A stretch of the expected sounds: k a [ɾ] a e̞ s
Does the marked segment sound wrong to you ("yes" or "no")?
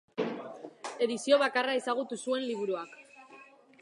yes